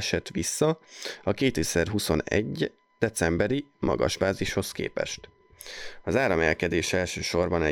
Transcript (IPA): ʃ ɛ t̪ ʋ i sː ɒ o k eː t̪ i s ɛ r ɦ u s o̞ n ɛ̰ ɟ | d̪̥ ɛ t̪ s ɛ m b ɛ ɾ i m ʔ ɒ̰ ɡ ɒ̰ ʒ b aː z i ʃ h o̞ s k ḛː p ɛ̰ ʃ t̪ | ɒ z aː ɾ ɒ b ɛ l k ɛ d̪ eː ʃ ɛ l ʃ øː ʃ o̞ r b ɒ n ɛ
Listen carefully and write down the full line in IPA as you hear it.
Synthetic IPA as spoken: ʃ ɛ t̪ ʋ i sː ɒ ɒ k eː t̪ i s ɛ r ɦ u s o̞ n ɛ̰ ɟ | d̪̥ ɛ t̪ s ɛ m b ɛ ɾ i m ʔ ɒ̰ ɡ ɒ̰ ʒ b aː z i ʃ h o̞ s k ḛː p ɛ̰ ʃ t̪ | ɒ z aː ɾ ɒ m ɛ l k ɛ d̪ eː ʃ ɛ l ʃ øː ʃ o̞ r b ɒ n ɛ